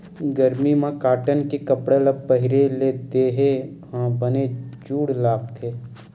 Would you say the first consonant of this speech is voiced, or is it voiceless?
voiced